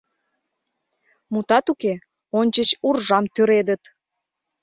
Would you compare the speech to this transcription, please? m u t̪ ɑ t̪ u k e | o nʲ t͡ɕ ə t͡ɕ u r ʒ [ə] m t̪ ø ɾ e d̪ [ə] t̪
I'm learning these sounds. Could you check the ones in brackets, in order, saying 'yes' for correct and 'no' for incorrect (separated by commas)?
no, yes